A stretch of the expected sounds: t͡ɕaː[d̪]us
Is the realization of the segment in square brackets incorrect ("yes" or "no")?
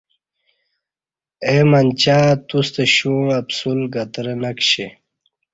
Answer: yes